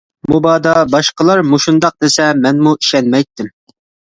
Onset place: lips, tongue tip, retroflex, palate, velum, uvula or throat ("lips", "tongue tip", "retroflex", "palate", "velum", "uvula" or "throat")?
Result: lips